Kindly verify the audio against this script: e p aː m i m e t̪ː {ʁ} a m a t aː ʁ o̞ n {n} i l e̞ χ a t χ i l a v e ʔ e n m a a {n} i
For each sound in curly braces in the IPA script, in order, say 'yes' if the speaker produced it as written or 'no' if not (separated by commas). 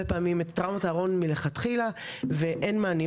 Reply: yes, no, yes